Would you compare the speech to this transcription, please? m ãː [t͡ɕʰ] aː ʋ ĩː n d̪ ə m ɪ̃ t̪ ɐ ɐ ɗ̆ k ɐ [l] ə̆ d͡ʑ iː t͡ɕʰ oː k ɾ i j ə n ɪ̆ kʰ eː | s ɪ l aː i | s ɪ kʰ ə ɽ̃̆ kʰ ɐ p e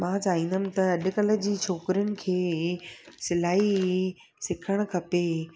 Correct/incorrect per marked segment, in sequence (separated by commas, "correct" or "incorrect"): incorrect, correct